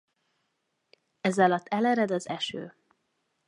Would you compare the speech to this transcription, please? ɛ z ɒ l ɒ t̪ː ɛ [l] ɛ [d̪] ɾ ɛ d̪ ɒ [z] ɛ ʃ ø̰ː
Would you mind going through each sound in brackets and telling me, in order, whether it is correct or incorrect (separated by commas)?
correct, incorrect, correct